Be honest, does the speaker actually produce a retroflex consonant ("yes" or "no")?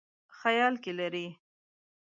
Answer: no